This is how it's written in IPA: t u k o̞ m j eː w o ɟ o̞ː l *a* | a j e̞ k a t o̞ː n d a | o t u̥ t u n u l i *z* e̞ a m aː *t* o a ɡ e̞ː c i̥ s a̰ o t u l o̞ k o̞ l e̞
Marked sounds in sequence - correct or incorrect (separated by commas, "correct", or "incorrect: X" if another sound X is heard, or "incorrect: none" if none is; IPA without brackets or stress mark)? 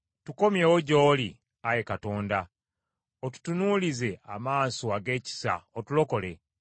incorrect: i, correct, incorrect: s